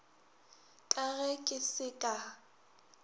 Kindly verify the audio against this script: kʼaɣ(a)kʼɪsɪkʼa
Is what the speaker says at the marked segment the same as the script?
no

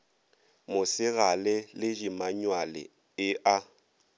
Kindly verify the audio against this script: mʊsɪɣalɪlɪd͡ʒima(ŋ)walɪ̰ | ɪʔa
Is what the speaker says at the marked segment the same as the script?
no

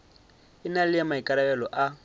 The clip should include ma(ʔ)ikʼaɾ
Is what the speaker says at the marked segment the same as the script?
no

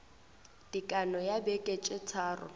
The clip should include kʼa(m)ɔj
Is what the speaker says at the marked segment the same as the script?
no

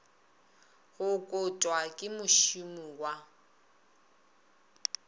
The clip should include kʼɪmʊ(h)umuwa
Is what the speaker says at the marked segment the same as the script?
no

